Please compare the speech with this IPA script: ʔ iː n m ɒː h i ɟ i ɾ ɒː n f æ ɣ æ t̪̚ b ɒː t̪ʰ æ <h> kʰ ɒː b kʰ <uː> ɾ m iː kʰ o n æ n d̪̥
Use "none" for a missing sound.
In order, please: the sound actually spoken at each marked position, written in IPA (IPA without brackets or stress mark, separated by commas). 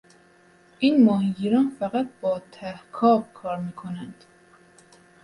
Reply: h, ɒː